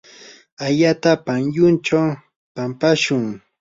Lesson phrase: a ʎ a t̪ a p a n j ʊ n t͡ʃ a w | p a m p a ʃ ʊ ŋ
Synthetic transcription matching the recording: a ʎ a t̪ a p a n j ʊ n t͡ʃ a w | p a m p a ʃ ʊ ŋ